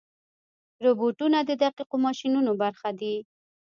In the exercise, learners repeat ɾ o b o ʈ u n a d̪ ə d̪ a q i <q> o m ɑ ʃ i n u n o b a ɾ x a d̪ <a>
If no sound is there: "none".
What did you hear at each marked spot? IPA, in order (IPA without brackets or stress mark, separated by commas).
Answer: q, i